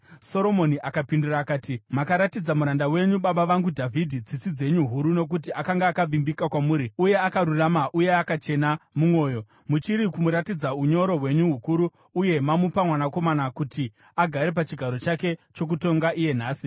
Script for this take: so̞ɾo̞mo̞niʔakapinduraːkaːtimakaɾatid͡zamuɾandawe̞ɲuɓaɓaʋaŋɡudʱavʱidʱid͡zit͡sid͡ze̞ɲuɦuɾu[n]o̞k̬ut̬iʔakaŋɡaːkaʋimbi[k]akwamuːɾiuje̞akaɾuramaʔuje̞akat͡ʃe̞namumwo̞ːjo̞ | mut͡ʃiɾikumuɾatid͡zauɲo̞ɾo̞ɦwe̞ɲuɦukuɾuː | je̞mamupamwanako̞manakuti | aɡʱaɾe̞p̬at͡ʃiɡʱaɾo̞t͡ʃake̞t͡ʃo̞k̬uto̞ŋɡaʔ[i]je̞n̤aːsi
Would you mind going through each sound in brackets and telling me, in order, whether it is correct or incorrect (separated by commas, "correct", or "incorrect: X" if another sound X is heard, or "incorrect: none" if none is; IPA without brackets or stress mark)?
correct, correct, correct